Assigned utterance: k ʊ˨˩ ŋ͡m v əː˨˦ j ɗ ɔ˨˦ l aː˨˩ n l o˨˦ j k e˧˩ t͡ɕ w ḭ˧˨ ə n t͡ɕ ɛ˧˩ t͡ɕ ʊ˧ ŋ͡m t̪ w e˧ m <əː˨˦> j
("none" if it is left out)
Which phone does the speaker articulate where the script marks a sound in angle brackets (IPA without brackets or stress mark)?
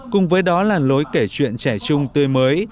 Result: əː˨˦